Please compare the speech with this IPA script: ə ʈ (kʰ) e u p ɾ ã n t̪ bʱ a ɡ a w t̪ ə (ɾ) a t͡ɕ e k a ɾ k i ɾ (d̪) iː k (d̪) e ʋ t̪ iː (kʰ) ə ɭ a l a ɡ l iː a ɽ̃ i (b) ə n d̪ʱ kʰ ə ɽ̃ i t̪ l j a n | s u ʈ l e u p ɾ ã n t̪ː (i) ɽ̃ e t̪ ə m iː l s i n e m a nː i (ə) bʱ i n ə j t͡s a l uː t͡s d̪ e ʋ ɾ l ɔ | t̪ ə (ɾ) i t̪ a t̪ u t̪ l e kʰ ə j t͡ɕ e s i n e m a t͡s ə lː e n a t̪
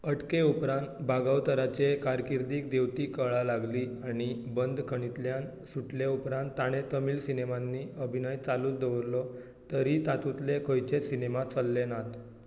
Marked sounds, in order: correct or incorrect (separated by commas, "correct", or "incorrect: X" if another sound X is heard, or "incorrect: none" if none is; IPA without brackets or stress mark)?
incorrect: k, correct, correct, correct, incorrect: k, correct, incorrect: a, correct, correct